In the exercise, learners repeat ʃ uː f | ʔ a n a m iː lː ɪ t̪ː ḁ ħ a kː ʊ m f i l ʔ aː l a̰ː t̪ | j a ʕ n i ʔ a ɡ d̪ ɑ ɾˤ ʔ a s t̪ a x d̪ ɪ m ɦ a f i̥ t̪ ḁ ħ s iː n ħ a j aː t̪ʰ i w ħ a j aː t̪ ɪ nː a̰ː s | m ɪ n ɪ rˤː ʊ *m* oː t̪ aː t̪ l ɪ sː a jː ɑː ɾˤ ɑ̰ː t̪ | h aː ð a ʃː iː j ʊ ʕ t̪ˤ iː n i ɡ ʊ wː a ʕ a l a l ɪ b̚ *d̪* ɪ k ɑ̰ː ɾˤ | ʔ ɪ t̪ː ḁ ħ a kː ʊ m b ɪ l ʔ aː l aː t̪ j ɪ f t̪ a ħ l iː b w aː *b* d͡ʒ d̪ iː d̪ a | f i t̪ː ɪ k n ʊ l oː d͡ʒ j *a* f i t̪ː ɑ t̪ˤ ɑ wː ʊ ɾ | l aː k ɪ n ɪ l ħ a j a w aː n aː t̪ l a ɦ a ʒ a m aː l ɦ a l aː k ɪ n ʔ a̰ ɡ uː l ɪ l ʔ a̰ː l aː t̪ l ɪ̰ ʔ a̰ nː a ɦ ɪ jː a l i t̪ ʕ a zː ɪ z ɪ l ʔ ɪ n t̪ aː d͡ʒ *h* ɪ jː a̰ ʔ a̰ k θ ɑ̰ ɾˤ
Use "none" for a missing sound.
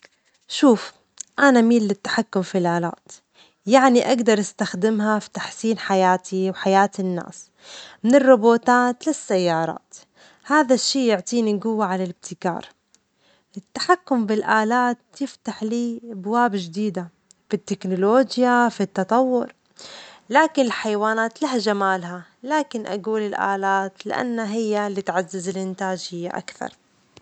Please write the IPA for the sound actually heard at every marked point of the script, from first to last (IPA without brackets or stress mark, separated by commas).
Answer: b, t̪, b, a, h